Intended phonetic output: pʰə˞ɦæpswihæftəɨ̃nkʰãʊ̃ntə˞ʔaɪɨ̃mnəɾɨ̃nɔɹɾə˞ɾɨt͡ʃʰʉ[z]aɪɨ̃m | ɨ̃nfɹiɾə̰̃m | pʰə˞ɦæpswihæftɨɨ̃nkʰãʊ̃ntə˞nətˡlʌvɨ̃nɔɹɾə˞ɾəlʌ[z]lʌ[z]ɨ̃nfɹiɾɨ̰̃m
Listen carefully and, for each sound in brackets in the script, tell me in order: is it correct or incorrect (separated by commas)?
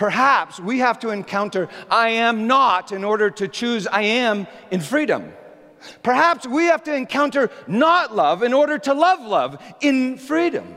correct, incorrect, incorrect